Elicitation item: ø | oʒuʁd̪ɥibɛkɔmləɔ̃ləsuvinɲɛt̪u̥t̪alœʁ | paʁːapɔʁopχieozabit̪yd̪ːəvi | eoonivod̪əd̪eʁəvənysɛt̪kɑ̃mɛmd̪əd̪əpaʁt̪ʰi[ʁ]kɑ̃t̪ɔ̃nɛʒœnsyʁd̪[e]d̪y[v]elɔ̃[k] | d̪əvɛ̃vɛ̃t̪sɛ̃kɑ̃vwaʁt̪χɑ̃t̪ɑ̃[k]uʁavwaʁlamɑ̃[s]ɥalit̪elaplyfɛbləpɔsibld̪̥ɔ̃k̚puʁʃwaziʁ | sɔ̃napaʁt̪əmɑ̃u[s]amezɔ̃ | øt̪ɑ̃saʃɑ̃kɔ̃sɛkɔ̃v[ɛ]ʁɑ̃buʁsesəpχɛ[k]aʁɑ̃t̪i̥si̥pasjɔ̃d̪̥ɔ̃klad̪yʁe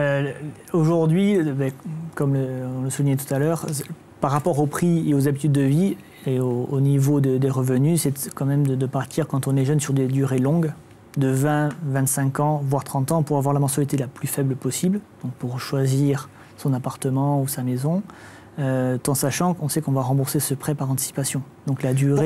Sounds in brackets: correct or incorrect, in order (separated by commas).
correct, correct, incorrect, incorrect, incorrect, correct, correct, incorrect, incorrect